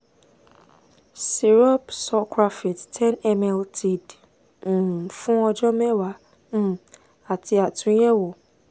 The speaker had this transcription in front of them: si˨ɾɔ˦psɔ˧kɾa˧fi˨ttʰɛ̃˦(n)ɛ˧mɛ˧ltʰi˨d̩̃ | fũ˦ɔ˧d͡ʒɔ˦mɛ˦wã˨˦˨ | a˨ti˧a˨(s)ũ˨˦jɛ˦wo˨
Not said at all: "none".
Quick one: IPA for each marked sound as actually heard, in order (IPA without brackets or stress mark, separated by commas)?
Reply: n, t